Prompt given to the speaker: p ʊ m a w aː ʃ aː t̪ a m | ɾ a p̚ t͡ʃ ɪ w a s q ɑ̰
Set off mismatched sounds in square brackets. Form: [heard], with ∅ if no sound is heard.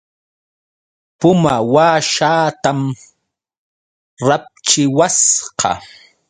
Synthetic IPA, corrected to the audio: p ʊ m a w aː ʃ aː t̪ a m | ɾ a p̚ t͡ʃ ɪ w a s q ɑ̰